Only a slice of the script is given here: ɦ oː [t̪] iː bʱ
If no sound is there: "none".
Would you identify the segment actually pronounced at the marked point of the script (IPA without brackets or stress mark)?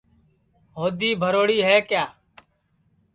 d̪